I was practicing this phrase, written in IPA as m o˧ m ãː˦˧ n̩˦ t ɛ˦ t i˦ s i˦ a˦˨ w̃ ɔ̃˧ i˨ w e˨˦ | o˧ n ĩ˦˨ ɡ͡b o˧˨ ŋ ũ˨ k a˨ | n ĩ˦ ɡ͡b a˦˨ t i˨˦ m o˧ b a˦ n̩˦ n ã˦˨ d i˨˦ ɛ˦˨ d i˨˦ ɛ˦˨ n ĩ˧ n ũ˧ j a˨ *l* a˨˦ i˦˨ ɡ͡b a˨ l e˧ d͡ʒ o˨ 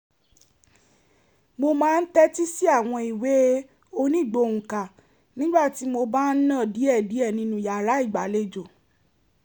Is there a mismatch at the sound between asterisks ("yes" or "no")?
yes